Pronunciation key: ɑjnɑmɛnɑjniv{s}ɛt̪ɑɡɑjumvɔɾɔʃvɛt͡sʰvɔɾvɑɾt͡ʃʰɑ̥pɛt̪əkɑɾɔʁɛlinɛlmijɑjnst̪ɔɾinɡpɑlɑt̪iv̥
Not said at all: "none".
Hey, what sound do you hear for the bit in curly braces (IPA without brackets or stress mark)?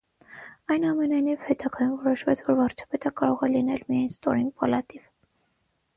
h